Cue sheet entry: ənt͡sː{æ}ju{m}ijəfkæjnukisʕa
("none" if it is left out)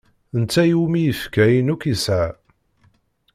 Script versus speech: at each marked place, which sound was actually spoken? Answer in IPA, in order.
æ, m

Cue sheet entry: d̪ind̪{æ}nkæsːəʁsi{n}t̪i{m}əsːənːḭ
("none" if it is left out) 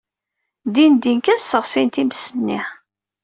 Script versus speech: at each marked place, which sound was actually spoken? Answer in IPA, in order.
i, n, m

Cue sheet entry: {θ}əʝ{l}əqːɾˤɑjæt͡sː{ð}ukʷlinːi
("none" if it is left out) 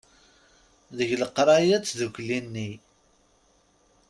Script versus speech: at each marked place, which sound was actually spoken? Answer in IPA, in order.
ð, l, ð

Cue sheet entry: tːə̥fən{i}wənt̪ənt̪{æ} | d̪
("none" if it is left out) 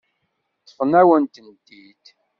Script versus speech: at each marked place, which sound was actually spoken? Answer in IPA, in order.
æ, i

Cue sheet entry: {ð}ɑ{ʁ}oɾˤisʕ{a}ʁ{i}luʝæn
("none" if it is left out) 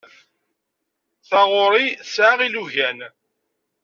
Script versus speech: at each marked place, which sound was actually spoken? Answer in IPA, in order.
θ, ʁ, a, i

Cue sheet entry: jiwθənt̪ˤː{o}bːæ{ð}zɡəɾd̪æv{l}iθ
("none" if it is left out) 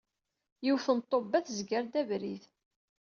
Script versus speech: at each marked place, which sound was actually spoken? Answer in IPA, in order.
o, θ, ɾ

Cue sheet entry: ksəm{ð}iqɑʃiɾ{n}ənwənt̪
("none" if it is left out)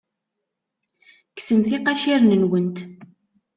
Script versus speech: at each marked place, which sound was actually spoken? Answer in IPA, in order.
θ, n

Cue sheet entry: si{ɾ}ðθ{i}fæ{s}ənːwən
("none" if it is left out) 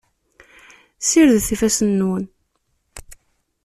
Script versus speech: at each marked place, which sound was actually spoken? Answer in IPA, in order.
ɾ, i, s

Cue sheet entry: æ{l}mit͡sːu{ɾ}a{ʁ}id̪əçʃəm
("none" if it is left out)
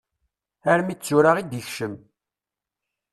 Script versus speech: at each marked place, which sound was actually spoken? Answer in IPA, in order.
ɾ, ɾ, ʁ

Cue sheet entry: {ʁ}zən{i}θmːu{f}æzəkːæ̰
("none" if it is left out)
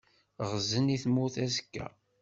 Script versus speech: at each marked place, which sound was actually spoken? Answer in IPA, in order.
ʁ, i, θ

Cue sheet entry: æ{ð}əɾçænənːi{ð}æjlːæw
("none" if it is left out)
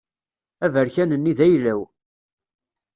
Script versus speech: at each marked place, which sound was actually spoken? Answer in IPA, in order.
v, ð

